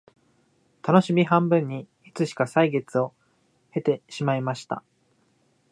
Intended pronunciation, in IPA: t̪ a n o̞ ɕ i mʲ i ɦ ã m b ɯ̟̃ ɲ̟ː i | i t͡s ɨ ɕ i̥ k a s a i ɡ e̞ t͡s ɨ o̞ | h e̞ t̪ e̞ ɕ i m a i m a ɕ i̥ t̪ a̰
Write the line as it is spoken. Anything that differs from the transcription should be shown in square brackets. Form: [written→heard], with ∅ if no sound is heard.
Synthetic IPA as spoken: t̪ a n o̞ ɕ i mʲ i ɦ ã m b ɯ̟̃ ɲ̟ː i | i t͡s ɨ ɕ i̥ k a s a i ɡ e̞ t͡s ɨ o̞ | h e̞ t̪ e̞ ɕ i m a i m a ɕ i̥ t̪ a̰